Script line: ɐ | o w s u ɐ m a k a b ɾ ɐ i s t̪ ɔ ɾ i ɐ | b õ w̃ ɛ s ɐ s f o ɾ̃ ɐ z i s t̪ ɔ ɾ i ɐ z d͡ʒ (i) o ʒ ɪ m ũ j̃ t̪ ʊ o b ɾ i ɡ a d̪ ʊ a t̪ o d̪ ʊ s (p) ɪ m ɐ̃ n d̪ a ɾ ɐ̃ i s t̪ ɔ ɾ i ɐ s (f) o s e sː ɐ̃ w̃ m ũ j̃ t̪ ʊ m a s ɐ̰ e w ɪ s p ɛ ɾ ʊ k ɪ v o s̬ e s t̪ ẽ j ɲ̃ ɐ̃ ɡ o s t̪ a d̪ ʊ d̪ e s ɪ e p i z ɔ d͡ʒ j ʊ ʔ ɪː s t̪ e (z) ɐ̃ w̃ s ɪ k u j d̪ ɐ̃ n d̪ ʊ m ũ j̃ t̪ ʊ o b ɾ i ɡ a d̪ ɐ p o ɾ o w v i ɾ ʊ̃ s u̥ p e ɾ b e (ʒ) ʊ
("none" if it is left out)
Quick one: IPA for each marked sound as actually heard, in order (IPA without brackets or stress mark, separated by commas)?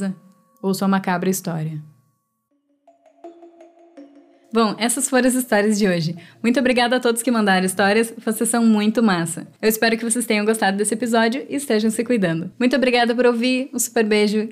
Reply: ɪ, k, v, ʒ, ʒ